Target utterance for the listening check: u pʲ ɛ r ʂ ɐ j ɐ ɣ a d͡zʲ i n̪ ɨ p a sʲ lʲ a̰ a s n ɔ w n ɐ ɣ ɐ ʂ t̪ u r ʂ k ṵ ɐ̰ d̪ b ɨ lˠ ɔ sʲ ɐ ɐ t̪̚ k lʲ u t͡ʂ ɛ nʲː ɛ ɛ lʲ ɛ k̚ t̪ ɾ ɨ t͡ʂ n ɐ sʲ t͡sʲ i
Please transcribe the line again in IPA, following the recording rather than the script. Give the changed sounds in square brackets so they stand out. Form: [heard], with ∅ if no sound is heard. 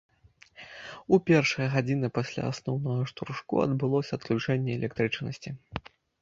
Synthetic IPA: u pʲ ɛ r ʂ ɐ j ɐ ɣ a d͡zʲ i n̪ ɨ p a sʲ lʲ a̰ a s n ɔ w n ɐ ɣ ɐ ʂ t̪ u r ʂ k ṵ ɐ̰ d̪ b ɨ lˠ ɔ sʲ ɐ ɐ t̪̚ k lʲ u t͡ʂ ɛ nʲː ɛ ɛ lʲ ɛ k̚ t̪ ɾ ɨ t͡ʂ n ɐ sʲ t͡sʲ i